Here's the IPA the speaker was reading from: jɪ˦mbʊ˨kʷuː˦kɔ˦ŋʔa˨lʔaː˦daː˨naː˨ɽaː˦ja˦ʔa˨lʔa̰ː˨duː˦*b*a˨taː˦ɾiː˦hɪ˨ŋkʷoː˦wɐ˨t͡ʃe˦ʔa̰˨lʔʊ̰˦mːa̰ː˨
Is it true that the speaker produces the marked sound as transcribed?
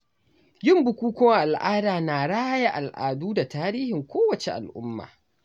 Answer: no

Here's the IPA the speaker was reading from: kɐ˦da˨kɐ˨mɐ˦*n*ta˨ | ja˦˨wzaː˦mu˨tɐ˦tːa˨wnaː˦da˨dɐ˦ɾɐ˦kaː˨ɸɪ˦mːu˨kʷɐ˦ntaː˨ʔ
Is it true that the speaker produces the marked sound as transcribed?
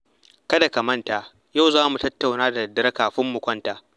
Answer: yes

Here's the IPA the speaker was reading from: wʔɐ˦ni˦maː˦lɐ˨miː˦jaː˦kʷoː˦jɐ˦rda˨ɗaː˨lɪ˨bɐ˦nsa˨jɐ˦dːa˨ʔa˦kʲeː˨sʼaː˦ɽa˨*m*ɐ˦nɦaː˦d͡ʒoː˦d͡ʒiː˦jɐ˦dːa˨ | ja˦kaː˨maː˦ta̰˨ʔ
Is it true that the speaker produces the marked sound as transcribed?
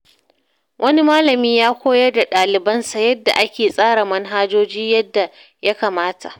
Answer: yes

